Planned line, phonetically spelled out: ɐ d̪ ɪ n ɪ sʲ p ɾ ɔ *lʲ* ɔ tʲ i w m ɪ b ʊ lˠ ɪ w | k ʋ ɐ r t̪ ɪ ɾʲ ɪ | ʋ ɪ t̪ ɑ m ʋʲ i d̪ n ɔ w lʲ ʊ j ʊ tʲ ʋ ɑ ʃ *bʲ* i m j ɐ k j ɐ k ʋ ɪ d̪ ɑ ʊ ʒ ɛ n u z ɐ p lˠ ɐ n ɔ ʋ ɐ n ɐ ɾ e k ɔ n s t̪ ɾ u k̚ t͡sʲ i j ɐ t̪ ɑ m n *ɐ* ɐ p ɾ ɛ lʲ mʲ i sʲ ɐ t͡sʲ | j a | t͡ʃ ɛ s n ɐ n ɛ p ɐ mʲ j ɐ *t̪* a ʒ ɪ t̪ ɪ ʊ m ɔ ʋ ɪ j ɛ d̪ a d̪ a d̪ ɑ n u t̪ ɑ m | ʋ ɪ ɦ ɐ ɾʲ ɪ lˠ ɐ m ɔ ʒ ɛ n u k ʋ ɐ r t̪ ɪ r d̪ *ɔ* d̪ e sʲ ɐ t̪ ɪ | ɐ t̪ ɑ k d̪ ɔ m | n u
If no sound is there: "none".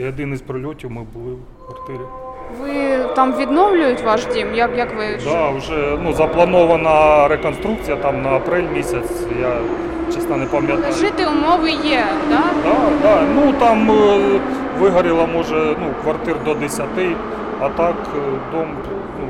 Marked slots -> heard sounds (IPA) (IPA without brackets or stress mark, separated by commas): lʲ, dʲ, ɐ, t̪, ɔ